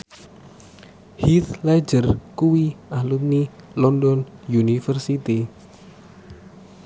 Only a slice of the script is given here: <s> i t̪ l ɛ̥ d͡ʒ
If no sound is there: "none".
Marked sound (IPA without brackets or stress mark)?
h